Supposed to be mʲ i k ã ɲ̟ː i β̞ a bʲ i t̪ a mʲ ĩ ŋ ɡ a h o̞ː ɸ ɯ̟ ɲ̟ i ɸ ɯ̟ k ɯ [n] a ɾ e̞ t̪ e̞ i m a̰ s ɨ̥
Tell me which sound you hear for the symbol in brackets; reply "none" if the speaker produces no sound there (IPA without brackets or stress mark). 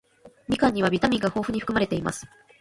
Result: m